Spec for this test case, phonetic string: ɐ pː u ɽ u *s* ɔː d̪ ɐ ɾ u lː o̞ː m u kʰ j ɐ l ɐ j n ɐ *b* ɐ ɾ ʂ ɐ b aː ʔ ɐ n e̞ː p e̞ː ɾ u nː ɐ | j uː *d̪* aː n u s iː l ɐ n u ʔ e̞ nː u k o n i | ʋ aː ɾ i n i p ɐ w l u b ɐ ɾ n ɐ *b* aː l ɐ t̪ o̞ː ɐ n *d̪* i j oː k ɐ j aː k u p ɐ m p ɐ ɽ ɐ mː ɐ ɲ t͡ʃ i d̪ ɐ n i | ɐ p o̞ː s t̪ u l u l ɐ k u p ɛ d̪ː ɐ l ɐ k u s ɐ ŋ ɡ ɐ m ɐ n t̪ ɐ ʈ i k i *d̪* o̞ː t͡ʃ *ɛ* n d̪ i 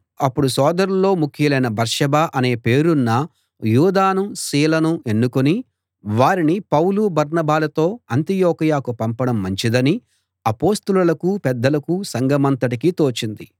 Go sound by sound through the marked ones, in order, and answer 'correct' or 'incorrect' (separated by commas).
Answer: correct, correct, correct, correct, incorrect, incorrect, incorrect